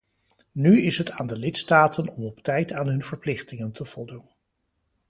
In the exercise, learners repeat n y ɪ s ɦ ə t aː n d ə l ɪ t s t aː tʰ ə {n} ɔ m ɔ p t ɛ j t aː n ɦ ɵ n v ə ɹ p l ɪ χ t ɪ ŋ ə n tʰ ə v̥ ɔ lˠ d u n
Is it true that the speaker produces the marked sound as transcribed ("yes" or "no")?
yes